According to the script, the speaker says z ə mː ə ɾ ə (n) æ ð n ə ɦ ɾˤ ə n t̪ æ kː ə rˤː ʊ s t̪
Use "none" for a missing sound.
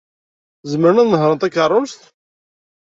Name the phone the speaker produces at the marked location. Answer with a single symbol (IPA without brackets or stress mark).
n